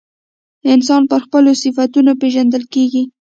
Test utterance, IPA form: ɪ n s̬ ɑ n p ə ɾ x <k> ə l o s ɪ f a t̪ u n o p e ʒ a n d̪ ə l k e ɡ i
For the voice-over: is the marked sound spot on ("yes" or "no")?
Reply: no